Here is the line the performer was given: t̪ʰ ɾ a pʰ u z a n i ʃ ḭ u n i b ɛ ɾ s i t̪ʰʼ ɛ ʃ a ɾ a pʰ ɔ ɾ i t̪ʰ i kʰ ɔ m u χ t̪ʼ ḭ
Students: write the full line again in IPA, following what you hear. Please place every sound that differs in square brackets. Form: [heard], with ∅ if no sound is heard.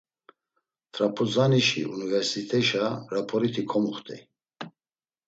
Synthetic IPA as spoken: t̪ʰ ɾ a pʰ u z a n i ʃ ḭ u n i [v] ɛ ɾ s i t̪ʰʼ ɛ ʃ a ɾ a pʰ ɔ ɾ i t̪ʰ i kʰ ɔ m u χ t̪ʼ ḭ